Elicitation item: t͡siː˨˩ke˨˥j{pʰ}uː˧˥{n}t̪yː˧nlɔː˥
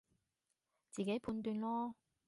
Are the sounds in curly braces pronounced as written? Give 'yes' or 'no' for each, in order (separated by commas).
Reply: yes, yes